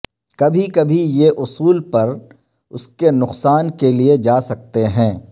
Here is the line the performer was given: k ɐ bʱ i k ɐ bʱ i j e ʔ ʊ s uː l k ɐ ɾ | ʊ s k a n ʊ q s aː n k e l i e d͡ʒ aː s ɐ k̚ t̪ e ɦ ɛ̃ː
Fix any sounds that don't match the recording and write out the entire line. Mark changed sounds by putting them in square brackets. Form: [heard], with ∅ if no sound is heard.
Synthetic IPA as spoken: k ɐ bʱ i k ɐ bʱ i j e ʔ ʊ s uː l [p] ɐ ɾ | ʊ s k [e] n ʊ q s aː n k e l i e d͡ʒ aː s ɐ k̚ t̪ e ɦ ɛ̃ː